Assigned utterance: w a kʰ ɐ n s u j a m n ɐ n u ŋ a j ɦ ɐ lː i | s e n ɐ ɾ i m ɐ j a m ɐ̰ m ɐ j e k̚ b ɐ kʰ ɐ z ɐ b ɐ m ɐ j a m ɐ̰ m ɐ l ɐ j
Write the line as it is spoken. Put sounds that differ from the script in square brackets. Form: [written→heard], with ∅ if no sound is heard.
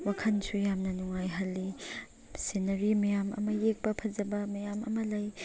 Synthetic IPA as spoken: w a kʰ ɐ n s u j a m n ɐ n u ŋ a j ɦ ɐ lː i | s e n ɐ ɾ i m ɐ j a m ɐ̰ m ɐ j e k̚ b ɐ [kʰ→pʰ] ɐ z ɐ b ɐ m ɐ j a m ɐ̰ m ɐ l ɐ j